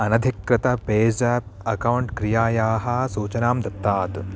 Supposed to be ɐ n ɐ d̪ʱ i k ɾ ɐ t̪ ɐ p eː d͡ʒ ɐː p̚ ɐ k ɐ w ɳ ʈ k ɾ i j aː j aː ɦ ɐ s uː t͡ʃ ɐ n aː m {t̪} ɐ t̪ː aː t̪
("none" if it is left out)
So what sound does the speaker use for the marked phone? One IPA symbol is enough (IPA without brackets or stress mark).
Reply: d̪